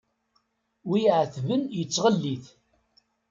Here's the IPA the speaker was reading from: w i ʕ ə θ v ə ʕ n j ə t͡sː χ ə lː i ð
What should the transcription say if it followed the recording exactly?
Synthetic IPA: w i ʕ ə θ v ə n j ə t͡sː ʁ ə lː i θ

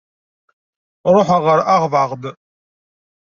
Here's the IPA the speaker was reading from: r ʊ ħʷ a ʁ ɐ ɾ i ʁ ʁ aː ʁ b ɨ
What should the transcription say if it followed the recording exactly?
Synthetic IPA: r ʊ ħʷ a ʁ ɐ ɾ a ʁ v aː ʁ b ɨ

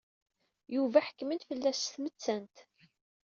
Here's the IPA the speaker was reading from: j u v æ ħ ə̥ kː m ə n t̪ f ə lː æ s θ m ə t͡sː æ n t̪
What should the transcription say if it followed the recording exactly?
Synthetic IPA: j u v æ ħ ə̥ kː m ə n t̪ f ə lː æ s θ m ə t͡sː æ n t̪

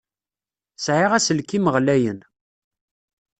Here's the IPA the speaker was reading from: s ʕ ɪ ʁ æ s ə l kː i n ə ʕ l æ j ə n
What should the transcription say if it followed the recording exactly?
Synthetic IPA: s ʕ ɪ ʁ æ s ə l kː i m ə ʁ l æ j ə n

